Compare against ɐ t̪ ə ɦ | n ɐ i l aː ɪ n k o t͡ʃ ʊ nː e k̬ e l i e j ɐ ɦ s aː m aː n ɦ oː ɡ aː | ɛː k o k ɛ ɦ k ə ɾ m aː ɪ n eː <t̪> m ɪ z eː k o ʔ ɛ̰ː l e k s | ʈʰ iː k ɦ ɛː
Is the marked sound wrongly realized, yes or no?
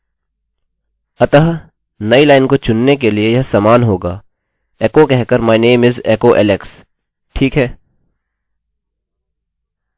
yes